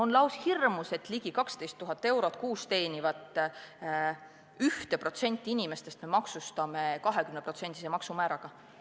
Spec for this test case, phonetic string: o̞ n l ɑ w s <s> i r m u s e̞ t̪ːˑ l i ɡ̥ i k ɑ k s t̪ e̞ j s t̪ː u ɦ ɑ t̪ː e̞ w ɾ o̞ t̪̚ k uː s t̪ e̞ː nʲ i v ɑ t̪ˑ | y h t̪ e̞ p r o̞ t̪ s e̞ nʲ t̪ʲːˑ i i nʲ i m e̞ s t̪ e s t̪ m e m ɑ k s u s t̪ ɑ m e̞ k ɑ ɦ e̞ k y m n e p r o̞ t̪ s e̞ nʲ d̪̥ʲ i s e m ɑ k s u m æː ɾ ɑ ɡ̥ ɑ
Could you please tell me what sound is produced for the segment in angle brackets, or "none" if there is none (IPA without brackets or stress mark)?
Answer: h